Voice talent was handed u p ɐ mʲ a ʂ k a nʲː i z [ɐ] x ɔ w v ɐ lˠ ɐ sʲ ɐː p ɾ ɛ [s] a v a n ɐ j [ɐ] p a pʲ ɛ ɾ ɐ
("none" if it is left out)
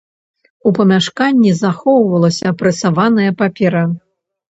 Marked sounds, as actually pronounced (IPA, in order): a, s, ɐ

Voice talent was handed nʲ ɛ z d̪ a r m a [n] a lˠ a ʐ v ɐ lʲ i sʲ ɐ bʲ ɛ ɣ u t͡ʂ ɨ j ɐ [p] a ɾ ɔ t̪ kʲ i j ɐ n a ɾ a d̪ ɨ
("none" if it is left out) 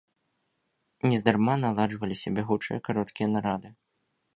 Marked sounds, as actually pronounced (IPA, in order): n, k

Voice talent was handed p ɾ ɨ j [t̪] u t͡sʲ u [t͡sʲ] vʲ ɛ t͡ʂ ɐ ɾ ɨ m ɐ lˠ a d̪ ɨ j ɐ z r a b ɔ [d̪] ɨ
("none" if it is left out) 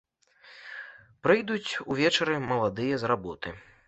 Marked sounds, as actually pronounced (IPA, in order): d̪, none, t̪

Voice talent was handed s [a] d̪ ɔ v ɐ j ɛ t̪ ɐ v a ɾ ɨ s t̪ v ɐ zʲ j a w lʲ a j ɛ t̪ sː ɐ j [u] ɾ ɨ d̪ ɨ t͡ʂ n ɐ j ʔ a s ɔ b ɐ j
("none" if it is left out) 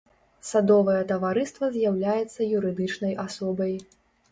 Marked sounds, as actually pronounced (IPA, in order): a, u

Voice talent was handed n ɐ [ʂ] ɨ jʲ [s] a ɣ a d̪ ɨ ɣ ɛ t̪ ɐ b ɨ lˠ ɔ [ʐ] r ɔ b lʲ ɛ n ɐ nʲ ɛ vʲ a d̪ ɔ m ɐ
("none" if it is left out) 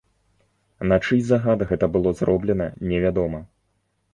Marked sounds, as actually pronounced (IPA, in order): t͡ʂ, z, z

